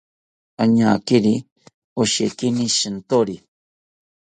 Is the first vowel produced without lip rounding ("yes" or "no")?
yes